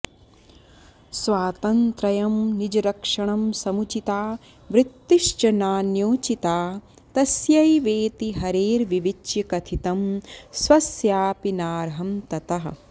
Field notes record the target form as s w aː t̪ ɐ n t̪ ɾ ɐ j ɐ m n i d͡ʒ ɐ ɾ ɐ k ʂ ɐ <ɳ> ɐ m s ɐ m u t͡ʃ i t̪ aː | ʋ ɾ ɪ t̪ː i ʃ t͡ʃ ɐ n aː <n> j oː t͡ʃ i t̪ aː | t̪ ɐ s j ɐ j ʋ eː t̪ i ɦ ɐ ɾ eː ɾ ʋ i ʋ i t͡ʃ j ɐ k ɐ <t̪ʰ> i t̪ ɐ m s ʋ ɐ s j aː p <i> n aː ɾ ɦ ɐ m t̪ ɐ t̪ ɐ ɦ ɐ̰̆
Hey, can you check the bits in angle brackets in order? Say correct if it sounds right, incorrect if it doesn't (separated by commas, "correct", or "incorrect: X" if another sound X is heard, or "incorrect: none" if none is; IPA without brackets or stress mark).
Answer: correct, correct, correct, correct